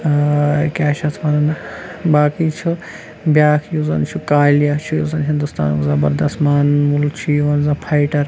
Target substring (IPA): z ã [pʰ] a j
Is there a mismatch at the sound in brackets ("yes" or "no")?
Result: no